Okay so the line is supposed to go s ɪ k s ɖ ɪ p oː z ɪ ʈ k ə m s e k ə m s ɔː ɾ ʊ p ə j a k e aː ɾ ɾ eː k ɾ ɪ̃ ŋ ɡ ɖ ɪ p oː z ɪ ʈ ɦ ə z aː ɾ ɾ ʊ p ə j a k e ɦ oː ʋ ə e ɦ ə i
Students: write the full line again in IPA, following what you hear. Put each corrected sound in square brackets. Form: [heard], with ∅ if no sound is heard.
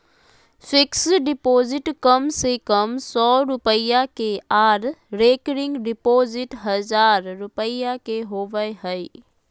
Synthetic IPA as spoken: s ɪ k s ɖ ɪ p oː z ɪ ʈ k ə m s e k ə m s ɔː ɾ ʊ p ə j a k e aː ɾ ɾ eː k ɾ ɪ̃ ŋ ɡ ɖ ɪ p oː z ɪ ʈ ɦ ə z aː ɾ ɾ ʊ p ə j a k e ɦ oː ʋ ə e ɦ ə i